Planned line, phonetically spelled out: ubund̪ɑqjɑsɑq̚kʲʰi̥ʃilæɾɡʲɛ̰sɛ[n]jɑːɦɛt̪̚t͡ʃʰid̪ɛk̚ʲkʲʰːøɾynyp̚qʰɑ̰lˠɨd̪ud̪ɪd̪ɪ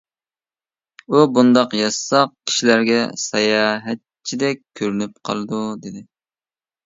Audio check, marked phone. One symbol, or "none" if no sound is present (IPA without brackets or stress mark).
none